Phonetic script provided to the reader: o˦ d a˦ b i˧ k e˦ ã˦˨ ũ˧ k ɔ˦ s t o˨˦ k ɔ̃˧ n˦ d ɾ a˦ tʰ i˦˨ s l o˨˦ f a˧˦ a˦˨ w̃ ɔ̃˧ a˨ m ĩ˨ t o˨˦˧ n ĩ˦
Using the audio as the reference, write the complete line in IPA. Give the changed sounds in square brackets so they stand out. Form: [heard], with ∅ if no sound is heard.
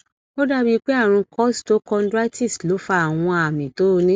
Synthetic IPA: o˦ d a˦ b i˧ [k͡p] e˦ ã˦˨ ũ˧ k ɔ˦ s t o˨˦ k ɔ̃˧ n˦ d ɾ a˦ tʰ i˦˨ s l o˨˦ f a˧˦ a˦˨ w̃ ɔ̃˧ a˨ m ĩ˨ t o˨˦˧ n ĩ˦